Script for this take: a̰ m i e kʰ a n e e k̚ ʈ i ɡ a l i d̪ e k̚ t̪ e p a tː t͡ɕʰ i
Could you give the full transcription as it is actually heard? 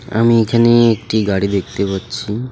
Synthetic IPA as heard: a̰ m i e kʰ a n e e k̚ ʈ i ɡ a ɽ i d̪ e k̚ t̪ e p a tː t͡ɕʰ i